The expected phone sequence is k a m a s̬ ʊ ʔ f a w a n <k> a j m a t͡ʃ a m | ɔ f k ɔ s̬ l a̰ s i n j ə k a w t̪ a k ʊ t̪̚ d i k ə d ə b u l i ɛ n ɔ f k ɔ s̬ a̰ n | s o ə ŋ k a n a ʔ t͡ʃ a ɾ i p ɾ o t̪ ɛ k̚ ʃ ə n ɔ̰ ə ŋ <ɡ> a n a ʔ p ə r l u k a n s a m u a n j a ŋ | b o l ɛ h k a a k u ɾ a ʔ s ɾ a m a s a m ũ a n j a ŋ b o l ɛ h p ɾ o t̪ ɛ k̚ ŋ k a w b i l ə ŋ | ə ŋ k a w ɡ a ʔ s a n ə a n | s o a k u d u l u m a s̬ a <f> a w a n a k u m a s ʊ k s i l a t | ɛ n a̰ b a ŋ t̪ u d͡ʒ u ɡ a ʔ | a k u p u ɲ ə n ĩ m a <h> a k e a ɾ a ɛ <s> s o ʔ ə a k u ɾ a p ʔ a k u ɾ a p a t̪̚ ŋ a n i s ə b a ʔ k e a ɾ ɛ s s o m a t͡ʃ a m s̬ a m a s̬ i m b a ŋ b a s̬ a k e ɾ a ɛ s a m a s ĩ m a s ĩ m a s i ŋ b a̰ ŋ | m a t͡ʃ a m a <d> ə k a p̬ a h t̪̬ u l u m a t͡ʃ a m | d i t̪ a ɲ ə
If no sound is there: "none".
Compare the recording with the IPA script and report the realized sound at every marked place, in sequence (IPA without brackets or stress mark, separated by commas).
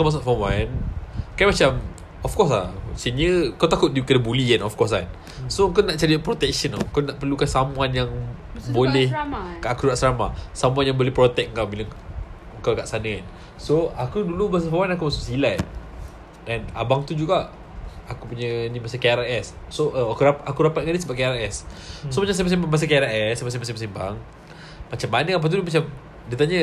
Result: k, k, f, s, s, n